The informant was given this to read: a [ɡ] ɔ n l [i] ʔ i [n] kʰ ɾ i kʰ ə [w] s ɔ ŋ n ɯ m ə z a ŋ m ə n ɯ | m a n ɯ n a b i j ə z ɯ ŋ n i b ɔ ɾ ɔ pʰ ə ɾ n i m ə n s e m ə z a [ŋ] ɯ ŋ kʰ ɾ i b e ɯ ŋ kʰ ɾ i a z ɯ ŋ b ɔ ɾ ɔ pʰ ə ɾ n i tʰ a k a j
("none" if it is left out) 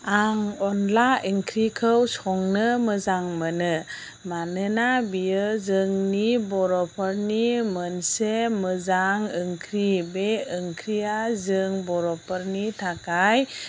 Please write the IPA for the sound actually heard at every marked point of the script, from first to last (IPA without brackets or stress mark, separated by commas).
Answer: ŋ, a, ŋ, w, ŋ